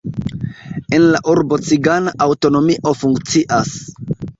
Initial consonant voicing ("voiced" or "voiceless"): voiced